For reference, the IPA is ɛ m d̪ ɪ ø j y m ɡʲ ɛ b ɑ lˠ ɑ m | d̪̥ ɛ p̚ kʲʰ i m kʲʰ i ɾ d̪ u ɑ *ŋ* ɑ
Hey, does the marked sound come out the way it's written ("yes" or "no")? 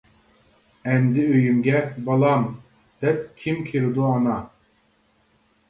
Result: no